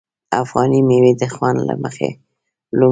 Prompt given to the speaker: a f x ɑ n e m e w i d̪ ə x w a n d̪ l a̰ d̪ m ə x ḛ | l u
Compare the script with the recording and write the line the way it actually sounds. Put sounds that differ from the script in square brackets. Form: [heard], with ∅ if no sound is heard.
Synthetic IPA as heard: a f [ɣ] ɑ n [i] m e w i d̪ ə x w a n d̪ l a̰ [∅] m ə x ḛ | l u